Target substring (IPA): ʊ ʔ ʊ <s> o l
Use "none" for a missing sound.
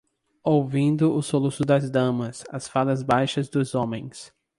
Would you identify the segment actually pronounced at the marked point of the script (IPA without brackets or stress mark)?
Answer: s